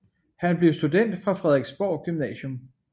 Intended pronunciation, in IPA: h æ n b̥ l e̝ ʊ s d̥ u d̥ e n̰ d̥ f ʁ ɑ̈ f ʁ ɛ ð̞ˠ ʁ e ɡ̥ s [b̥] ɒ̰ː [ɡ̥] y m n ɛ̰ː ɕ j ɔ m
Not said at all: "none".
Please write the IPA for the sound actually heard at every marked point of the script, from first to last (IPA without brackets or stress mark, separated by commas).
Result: b̥, ɡ̥